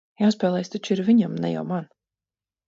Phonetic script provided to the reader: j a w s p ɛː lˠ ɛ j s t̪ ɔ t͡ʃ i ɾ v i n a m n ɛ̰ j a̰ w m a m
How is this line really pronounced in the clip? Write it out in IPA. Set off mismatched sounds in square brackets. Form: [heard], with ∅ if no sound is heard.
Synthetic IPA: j a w s p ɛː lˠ ɛ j s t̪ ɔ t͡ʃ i ɾ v i [ɲ] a m n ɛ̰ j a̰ w m a [n]